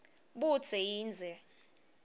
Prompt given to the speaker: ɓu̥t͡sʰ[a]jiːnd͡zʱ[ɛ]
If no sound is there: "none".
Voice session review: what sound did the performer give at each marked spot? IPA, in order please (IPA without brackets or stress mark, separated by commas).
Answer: ɛ, ɛ